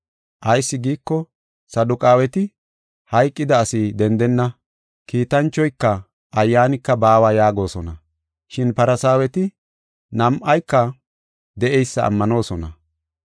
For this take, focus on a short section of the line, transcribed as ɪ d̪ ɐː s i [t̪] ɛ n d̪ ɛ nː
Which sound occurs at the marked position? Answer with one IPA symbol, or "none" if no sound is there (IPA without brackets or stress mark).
d̪